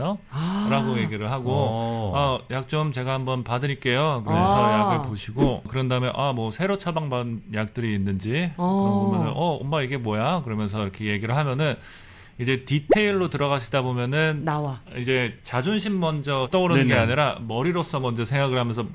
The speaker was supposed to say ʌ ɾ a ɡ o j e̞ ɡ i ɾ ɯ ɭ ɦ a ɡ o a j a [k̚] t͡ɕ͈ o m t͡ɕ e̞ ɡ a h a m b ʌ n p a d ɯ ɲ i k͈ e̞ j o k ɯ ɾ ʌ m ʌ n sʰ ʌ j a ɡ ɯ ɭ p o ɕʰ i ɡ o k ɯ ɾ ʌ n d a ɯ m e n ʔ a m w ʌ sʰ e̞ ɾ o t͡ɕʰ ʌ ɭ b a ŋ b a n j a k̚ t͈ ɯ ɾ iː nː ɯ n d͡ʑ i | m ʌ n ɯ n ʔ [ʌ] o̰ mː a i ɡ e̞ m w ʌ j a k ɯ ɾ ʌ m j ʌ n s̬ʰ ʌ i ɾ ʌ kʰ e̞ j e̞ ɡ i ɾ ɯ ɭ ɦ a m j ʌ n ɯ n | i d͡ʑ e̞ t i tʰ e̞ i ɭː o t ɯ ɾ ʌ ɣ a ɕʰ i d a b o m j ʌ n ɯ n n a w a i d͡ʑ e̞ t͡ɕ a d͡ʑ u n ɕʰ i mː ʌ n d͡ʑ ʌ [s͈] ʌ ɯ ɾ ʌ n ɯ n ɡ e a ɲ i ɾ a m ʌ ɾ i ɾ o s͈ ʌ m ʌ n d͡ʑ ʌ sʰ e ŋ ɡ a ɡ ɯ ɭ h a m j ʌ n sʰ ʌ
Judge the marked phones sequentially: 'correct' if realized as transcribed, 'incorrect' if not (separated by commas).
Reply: correct, correct, incorrect